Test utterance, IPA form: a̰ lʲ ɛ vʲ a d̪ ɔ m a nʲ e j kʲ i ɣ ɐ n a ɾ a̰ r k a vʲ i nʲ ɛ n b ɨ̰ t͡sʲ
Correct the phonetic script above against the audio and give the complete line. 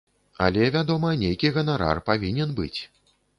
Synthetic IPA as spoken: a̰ lʲ ɛ vʲ a d̪ ɔ m ɐ nʲ e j kʲ i ɣ ɐ n a ɾ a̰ r p a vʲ i nʲ ɛ n b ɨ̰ t͡sʲ

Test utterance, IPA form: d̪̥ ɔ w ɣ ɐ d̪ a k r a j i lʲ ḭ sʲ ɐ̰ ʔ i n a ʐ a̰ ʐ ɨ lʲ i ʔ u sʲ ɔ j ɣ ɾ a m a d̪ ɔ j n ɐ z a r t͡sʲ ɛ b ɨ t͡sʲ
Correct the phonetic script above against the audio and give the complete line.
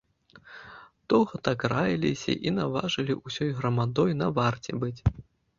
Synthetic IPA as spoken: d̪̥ ɔ w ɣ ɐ t̪ a k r a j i lʲ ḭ sʲ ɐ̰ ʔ i n a v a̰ ʐ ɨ lʲ i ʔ u sʲ ɔ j ɣ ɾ ɐ m a d̪ ɔ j n ɐ v a r t͡sʲ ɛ b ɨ t͡sʲ

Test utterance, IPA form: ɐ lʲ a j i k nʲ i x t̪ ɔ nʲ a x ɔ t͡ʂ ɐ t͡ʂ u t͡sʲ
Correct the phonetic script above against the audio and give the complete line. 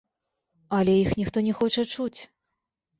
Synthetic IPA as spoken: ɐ lʲ ɛ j i x nʲ i x t̪ ɔ nʲ ɛ x ɔ t͡ʂ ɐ t͡ʂ u t͡sʲ

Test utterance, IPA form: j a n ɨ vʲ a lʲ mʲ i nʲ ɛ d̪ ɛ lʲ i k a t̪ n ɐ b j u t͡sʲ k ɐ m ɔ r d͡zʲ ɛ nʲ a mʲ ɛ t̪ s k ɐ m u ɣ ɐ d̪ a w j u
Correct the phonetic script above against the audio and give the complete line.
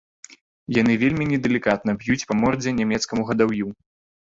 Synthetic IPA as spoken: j a n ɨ vʲ e lʲ mʲ i nʲ ɛ d̪ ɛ lʲ i k a t̪ n ɐ b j u t͡sʲ p ɐ m ɔ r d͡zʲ ɛ nʲ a mʲ ɛ t̪ s k ɐ m u ɣ ɐ d̪ a w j u

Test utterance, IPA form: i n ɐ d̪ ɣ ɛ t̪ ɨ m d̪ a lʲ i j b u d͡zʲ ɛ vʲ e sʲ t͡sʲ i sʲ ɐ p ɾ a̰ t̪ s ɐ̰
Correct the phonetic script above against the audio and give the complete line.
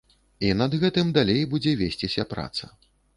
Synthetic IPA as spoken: i n ɐ d̪ ɣ ɛ t̪ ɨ m d̪ a lʲ e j b u d͡zʲ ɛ vʲ e sʲ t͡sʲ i sʲ ɐ p ɾ a̰ t̪ s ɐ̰

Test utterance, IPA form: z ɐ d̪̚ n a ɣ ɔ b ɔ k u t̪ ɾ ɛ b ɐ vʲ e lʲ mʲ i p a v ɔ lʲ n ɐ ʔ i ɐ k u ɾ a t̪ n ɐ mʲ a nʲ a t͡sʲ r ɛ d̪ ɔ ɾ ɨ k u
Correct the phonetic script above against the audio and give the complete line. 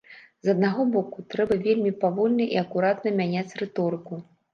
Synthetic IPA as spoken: z ɐ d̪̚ n a ɣ ɔ b ɔ k u t̪ ɾ ɛ b ɐ vʲ e lʲ mʲ i p a v ɔ lʲ n ɐ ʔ i ɐ k u ɾ a t̪ n ɐ mʲ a nʲ a t͡sʲ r ɛ t̪ ɔ ɾ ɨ k u

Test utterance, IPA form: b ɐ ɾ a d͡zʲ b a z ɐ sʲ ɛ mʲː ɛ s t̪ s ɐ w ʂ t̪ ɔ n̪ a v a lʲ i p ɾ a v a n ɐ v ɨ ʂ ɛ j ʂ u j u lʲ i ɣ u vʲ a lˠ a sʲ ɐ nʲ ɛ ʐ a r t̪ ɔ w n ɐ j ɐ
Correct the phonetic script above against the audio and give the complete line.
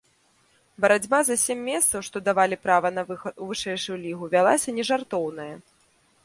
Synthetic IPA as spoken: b ɐ ɾ a d͡zʲ b a z ɐ sʲ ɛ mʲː ɛ s t̪ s ɐ w ʂ t̪ ɔ d̪ a v a lʲ i p ɾ a v ɐ n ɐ v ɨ ʂ ɛ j ʂ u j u lʲ i ɣ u vʲ a lˠ a sʲ ɐ nʲ ɛ ʐ a r t̪ ɔ w n ɐ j ɐ

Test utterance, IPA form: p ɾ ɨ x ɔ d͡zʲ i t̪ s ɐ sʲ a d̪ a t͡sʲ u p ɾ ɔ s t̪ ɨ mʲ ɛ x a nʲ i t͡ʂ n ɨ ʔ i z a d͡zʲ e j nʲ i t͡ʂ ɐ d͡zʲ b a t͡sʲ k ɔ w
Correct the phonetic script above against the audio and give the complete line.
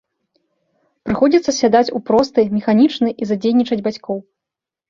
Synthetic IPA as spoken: p ɾ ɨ x ɔ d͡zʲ i t̪ s ɐ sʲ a d̪ a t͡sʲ u p ɾ ɔ s t̪ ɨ mʲ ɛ x a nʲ i t͡ʂ n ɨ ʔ i z a d͡zʲ e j nʲ i t͡ʂ ɐ d͡zʲ b a t͡sʲ k ɔ w

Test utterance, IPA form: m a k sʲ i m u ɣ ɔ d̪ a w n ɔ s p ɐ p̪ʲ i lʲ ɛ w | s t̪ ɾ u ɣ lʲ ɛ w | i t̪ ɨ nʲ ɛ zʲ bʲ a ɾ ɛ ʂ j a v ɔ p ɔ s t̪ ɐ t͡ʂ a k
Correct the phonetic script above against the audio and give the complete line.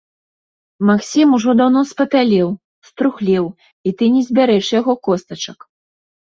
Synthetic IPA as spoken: m a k sʲ i m u ʐ ɔ d̪ a w n ɔ s p ɐ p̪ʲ a lʲ ɛ w | s t̪ ɾ u x lʲ ɛ w | i t̪ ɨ nʲ ɛ zʲ bʲ a ɾ ɛ ʂ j a ɣ ɔ k ɔ s t̪ ɐ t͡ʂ ɐ k

